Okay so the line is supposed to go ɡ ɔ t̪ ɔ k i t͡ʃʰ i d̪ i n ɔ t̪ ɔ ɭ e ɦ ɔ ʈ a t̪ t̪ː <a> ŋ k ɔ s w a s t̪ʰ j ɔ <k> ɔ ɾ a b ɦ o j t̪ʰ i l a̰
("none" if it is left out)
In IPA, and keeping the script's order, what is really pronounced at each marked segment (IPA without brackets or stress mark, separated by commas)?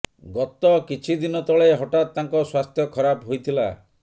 a, kʰ